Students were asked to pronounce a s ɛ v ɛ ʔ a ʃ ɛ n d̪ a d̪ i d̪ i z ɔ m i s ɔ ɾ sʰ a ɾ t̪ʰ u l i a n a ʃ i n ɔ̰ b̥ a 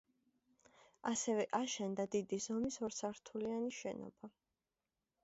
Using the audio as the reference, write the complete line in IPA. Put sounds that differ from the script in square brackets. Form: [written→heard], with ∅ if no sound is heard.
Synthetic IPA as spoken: a s ɛ v ɛ ʔ a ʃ ɛ n d̪ a d̪ i d̪ i z ɔ m i s ɔ ɾ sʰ a ɾ t̪ʰ u l i a n [a→i] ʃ [i→ɛ] n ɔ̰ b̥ a